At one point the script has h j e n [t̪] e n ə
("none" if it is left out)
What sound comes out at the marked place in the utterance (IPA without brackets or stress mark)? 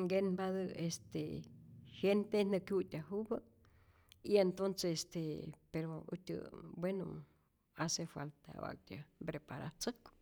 t̪